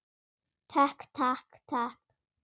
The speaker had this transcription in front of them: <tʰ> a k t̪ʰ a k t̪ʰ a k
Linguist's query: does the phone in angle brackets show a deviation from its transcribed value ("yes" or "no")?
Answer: no